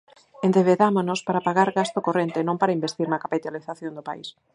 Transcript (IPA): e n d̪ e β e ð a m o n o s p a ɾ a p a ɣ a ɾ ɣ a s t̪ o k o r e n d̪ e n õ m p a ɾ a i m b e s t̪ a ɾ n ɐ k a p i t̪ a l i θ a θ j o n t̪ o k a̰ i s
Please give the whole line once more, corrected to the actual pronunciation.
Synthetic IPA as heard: e n d̪ e β e ð a m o n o s p a ɾ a p a ɣ a ɾ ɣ a s t̪ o k o r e n t̪ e n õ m p a ɾ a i m b e s t̪ i ɾ n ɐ k a p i t̪ a l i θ a θ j o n d̪ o p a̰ i s